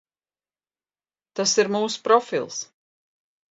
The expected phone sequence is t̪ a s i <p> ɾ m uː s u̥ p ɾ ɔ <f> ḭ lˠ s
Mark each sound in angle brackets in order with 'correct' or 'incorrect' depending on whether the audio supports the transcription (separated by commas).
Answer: incorrect, correct